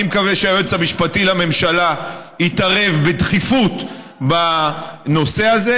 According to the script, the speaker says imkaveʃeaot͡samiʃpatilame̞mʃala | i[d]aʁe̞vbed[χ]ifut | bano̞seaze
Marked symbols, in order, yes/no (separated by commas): no, yes